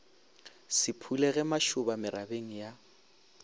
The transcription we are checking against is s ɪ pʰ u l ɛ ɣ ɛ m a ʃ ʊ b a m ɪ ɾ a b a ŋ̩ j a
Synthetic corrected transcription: s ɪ pʰ u l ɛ ɣ ɛ m a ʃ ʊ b a m ɪ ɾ a b e ŋ̩ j a